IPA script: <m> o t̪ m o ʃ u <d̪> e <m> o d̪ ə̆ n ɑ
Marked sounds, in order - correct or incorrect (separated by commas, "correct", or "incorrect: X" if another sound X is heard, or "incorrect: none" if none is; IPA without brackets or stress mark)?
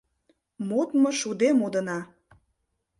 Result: correct, correct, correct